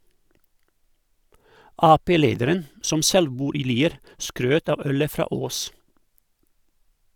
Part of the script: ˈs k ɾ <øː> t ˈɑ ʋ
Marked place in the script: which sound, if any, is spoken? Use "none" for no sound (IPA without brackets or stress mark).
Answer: øː